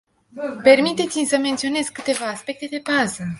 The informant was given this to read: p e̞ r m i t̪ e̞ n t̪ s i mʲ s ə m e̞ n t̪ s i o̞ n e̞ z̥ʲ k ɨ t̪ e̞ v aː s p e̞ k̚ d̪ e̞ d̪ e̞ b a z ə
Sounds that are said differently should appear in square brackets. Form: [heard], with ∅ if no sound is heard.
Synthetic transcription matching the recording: p e̞ r m i t̪ e̞ [∅] t̪ s i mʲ s ə m e̞ n t̪ s i o̞ n e̞ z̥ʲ k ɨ t̪ e̞ v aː s p e̞ k̚ [t̪] e̞ d̪ e̞ b a z ə